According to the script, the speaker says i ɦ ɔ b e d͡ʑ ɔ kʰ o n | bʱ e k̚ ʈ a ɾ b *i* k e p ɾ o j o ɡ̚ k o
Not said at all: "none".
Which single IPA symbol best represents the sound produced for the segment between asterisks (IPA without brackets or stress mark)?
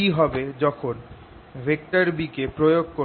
i